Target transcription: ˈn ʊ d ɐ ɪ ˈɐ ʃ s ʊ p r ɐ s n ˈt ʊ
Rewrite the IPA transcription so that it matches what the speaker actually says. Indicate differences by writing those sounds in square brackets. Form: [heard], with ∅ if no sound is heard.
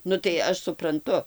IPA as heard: ˈn ʊ [t] ɐ ɪ ˈɐ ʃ s ʊ p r ɐ [∅] n ˈt ʊ